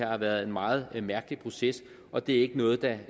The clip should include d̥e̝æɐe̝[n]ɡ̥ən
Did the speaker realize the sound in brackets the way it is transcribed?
no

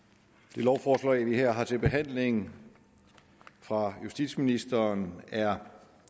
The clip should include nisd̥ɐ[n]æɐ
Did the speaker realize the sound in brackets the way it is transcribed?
yes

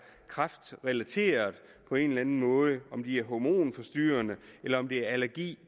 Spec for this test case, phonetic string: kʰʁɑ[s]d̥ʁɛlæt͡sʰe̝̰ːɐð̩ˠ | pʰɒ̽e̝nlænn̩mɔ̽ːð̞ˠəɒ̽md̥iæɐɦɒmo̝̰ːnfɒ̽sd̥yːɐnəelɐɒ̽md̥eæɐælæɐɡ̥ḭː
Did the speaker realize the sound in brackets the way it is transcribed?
no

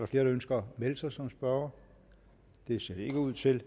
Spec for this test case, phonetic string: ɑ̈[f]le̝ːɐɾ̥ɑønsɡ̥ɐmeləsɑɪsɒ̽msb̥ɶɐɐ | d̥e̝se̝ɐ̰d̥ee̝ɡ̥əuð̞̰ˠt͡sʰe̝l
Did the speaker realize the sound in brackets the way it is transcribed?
yes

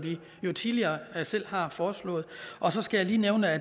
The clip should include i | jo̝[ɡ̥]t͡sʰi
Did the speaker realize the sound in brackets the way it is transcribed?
no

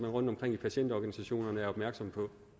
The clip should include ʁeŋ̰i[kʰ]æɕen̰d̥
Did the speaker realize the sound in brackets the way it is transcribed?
no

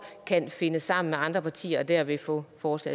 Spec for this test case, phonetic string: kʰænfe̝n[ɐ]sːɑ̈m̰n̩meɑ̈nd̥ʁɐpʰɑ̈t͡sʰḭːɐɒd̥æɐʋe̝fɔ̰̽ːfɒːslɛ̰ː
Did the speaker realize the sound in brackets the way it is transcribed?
no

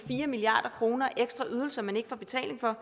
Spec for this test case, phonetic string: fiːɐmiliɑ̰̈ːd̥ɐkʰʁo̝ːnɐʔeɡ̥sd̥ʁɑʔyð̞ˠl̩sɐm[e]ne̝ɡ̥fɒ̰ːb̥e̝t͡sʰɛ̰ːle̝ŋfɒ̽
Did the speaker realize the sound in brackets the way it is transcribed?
no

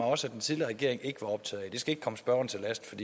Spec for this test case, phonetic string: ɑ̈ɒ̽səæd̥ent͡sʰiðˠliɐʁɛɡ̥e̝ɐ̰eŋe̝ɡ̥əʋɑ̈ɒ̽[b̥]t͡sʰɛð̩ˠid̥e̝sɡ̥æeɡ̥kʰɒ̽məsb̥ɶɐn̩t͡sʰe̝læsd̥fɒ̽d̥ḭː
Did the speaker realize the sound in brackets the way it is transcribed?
yes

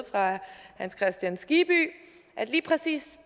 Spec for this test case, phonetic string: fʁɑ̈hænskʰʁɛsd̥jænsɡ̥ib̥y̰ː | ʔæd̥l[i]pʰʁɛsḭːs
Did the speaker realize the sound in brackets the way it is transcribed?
no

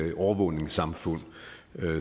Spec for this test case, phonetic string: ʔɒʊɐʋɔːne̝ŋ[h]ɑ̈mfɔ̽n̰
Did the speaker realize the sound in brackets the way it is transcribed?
no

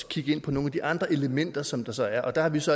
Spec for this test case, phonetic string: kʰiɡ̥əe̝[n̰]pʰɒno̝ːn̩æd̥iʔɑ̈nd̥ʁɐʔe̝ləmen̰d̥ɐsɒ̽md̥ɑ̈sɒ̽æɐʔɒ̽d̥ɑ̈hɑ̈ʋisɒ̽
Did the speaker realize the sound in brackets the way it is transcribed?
yes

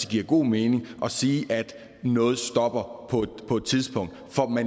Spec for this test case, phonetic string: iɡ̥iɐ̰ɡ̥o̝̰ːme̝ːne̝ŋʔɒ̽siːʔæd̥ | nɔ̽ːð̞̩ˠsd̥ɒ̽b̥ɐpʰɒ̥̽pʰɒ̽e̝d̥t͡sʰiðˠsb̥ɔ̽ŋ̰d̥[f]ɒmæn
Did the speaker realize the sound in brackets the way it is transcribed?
yes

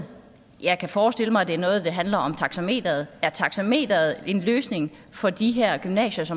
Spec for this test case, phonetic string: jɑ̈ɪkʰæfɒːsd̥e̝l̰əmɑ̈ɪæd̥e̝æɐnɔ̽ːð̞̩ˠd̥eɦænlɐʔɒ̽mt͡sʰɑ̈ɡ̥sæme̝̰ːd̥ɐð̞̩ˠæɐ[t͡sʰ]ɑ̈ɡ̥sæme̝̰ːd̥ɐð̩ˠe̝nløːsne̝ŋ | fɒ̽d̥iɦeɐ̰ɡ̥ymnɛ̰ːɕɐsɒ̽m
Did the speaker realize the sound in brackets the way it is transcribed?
yes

